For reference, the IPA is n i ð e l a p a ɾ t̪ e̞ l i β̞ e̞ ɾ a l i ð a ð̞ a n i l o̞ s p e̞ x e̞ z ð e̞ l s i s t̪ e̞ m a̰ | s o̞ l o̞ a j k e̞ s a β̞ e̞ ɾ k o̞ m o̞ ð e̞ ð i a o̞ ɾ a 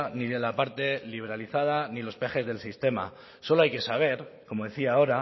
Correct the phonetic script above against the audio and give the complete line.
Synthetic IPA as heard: n i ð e l a p a ɾ t̪ e̞ l i β̞ e̞ ɾ a l i θ a ð̞ a n i l o̞ s p e̞ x e̞ z ð e̞ l s i s t̪ e̞ m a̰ | s o̞ l o̞ a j k e̞ s a β̞ e̞ ɾ k o̞ m o̞ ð e̞ θ i a o̞ ɾ a